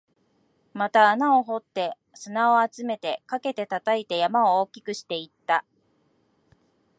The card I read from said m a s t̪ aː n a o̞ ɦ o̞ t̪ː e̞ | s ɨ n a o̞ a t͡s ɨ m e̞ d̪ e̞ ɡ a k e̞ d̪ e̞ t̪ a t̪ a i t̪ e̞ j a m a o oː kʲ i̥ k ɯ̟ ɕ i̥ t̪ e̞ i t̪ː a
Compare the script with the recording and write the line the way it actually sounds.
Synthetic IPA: m a t̪ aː n a o̞ ɦ o̞ t̪ː e̞ | s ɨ n a o̞ a t͡s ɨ m e̞ t̪ e̞ k a k e̞ t̪ e̞ t̪ a t̪ a i t̪ e̞ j a m a o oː kʲ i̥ k ɯ̟ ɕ i̥ t̪ e̞ i t̪ː a